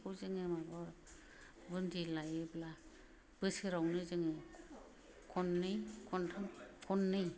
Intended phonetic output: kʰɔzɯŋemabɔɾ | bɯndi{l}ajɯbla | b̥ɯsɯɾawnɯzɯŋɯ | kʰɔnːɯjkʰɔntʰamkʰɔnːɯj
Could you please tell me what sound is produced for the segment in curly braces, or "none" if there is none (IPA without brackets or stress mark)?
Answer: l